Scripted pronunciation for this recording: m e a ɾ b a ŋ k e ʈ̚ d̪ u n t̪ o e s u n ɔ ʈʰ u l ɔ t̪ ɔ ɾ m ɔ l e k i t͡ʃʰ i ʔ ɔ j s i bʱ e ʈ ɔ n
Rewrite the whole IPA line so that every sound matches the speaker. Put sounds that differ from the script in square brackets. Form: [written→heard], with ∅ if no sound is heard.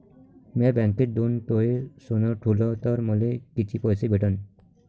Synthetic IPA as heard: m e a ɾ b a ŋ k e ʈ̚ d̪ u n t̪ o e s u n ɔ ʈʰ u l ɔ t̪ ɔ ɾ m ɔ l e k i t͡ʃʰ i [ʔ→p] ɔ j s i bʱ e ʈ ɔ n